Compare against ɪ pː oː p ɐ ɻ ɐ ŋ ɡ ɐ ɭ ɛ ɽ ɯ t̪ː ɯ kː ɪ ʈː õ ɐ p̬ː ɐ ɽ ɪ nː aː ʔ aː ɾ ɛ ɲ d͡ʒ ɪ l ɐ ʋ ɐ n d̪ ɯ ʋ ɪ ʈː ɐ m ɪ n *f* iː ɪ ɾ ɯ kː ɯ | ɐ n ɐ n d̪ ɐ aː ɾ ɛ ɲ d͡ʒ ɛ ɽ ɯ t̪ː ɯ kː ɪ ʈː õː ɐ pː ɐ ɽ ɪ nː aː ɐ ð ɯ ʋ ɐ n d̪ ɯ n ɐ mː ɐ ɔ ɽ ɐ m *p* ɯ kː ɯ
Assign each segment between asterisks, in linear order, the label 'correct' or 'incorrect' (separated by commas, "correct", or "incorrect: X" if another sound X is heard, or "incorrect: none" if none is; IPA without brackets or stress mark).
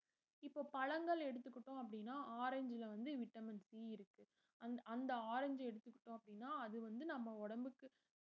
incorrect: s, incorrect: b